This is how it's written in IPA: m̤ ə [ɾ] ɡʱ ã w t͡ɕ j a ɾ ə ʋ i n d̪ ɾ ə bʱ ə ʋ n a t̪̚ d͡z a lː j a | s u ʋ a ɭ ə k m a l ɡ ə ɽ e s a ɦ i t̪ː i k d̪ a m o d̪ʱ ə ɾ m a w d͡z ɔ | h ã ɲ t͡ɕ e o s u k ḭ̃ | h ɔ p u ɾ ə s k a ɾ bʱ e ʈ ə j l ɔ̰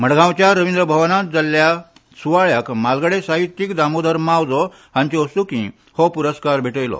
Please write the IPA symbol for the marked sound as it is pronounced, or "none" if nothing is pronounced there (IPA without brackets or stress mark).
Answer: ɽ